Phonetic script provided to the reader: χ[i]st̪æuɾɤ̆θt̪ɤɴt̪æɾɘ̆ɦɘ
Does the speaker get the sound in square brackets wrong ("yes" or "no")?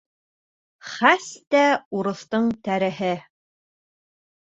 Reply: yes